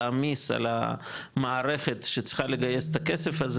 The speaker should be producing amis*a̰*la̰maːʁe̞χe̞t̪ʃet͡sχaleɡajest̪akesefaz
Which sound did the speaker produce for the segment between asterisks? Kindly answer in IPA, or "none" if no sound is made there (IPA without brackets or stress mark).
a̰